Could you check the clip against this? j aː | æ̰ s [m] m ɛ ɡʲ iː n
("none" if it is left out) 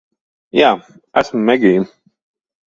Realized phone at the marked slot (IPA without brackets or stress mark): m